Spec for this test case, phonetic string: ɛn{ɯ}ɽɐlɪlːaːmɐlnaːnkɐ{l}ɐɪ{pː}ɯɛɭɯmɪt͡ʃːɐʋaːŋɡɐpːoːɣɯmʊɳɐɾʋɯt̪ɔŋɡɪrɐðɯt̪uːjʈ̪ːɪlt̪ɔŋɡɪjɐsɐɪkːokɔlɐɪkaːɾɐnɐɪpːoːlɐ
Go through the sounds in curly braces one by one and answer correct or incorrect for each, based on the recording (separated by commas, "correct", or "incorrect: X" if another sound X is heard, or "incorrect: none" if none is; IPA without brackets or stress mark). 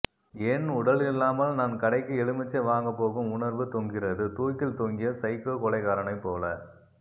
incorrect: ʊ, incorrect: ɽ, incorrect: kː